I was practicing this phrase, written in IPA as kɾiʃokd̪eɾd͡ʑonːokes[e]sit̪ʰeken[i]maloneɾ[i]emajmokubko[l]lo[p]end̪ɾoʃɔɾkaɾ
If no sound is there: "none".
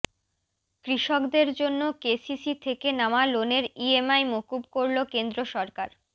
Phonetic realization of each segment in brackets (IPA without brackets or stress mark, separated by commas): i, a, i, ɾ, k